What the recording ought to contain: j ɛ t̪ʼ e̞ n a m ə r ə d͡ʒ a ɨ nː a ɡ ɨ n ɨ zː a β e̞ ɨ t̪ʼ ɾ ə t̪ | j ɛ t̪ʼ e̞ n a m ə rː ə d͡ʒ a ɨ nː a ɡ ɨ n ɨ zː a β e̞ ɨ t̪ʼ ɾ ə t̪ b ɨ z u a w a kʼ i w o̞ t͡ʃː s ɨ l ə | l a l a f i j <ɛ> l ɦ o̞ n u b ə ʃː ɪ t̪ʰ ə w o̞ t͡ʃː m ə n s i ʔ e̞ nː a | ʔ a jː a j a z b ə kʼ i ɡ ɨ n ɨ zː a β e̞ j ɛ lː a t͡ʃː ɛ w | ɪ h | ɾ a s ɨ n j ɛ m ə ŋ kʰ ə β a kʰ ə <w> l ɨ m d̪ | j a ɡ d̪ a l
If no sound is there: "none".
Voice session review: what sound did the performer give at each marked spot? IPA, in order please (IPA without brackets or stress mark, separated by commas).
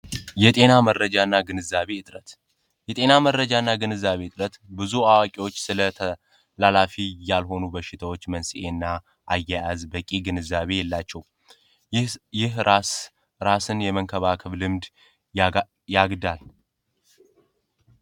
a, β